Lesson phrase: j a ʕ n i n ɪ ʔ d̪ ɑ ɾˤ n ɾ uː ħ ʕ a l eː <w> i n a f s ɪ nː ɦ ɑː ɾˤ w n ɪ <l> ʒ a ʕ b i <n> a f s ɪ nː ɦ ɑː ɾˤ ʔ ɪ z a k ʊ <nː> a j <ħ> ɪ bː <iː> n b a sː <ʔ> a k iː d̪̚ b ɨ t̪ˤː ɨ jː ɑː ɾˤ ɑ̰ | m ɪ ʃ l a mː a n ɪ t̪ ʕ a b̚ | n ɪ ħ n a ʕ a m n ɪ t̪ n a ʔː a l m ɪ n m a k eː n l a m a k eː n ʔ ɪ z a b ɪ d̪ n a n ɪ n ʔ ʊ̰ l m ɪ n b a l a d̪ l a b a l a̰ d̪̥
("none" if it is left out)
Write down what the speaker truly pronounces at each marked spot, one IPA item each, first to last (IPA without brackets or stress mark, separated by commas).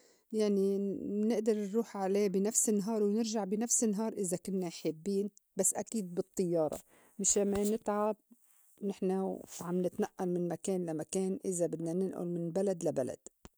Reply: b, ɾ, n, nː, ħ, iː, ʔ